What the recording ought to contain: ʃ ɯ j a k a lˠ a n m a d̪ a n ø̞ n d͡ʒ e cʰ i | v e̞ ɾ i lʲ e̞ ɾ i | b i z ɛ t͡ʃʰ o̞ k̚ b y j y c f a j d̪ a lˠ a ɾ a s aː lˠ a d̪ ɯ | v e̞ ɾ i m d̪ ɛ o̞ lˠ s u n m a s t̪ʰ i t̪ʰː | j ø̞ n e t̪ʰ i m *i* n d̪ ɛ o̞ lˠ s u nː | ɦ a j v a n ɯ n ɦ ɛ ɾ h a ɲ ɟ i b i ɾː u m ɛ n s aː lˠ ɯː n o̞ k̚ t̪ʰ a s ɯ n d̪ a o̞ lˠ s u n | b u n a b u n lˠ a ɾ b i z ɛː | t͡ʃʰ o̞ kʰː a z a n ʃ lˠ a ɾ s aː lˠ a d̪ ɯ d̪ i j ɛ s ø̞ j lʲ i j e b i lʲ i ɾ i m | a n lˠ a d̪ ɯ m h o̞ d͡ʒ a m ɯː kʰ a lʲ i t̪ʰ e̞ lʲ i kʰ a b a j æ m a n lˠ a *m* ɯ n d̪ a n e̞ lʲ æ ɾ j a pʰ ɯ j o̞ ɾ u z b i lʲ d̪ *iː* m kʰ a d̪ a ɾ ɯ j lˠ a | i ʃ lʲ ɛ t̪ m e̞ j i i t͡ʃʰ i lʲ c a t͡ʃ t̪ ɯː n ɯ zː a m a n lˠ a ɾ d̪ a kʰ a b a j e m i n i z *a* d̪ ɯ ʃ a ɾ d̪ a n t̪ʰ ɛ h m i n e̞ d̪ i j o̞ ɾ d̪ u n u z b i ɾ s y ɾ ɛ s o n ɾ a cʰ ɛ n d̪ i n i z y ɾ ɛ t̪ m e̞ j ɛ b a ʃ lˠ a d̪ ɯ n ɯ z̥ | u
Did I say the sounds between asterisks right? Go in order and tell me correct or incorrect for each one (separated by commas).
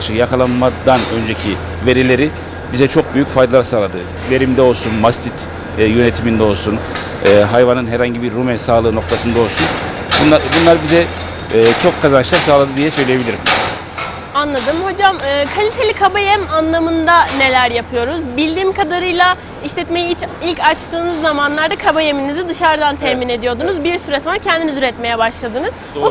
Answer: correct, correct, correct, incorrect